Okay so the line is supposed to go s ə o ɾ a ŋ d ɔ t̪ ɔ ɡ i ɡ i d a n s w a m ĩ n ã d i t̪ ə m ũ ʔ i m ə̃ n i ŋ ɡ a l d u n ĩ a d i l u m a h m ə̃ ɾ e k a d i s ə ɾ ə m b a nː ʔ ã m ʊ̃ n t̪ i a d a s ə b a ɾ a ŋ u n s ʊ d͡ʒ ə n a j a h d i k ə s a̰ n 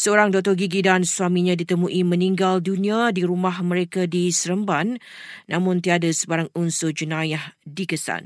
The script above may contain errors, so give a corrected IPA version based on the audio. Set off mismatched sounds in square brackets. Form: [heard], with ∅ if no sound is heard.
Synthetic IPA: s ə o ɾ a ŋ d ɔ t̪ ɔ ɡ i ɡ i d a n s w a m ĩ [ɲ] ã d i t̪ ə m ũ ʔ i m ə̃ n i ŋ ɡ a l d u n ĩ a d i [ɾ] u m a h m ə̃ ɾ e k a d i s ə ɾ ə m b a nː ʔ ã m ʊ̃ n t̪ i a d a s ə b a ɾ a ŋ u n s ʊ d͡ʒ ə n a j a h d i k ə s a̰ n